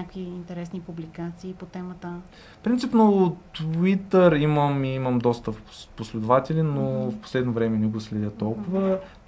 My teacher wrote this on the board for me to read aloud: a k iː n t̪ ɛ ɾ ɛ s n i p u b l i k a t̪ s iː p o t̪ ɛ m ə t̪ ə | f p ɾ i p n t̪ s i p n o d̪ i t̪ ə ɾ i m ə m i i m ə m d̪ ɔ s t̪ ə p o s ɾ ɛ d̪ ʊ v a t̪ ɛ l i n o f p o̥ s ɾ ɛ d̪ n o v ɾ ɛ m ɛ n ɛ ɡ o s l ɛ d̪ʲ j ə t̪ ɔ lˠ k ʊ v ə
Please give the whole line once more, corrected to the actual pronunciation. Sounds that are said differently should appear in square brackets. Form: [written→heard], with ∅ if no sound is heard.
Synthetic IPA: a k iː n t̪ ɛ ɾ ɛ s n i p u b l i k a t̪ s iː p o t̪ ɛ m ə t̪ ə | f p ɾ i [p→∅] n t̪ s i p n o [d̪→t̪] i t̪ ə ɾ i m ə m i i m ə m d̪ ɔ s t̪ ə p o s [ɾ→l] ɛ d̪ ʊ v a t̪ ɛ l i n o f p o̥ s [ɾ→l] ɛ d̪ n o v ɾ ɛ m ɛ n ɛ ɡ o s l ɛ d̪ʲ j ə t̪ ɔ lˠ k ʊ v ə